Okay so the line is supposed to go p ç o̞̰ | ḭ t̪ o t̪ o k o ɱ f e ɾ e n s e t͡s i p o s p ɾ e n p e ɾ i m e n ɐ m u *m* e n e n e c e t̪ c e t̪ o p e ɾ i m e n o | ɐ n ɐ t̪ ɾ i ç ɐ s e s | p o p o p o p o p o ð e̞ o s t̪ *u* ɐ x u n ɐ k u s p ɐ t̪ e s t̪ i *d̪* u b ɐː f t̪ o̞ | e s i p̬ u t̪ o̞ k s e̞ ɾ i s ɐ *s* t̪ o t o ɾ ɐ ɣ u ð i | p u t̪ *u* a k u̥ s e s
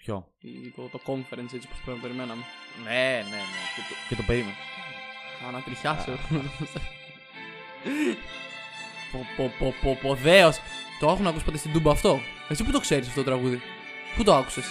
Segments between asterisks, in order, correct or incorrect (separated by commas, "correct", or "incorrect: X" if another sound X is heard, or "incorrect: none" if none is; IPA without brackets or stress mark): incorrect: n, incorrect: o, correct, incorrect: f, incorrect: o